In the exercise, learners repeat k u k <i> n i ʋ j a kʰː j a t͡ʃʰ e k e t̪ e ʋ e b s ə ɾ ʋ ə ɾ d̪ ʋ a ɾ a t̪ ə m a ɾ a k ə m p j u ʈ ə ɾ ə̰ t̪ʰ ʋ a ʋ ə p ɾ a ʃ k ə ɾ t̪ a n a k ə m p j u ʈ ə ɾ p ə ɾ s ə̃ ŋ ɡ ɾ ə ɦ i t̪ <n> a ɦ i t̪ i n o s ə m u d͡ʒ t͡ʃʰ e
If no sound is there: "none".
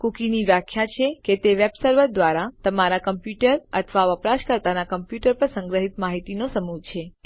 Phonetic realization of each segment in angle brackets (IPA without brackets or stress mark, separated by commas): i, m